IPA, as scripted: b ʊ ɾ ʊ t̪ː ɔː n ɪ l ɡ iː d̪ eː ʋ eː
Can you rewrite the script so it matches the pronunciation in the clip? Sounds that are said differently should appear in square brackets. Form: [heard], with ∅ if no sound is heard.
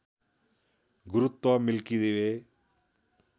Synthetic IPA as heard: [ɡ] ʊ ɾ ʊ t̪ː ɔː [m] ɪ l [k] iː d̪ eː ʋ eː